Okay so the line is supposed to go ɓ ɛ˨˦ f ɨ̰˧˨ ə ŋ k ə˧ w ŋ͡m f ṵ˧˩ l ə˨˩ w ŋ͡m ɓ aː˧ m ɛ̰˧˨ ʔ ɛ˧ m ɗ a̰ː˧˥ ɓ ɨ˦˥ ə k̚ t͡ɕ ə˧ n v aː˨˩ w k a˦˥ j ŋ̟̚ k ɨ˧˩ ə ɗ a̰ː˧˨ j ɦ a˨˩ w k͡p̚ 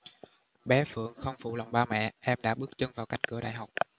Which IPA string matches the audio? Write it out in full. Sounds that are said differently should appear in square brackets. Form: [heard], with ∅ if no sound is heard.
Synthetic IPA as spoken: ɓ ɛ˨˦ f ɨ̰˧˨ ə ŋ [x] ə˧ w ŋ͡m f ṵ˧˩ l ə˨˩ w ŋ͡m ɓ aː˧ m ɛ̰˧˨ ʔ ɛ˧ m ɗ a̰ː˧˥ ɓ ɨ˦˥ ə k̚ t͡ɕ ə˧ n v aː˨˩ w k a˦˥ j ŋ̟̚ k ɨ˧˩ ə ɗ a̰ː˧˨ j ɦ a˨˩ w k͡p̚